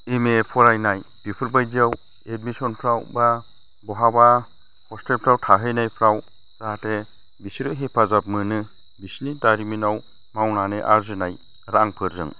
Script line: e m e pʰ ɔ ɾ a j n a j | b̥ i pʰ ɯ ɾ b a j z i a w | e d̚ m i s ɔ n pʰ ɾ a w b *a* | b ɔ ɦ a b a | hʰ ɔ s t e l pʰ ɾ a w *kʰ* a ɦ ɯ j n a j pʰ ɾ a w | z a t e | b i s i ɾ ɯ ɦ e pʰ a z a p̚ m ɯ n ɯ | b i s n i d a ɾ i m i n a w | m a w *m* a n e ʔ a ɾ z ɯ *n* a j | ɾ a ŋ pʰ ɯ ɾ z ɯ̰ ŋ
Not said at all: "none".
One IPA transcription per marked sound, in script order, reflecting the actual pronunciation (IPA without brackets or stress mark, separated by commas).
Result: a, tʰ, n, n